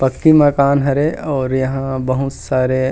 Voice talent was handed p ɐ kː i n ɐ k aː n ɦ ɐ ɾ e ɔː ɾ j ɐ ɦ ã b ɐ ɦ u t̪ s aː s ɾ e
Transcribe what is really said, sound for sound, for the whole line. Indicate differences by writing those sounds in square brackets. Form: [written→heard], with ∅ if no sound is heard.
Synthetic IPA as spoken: p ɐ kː i [n→m] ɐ k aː n ɦ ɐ ɾ e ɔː ɾ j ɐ ɦ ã b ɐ ɦ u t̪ s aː [s→∅] ɾ e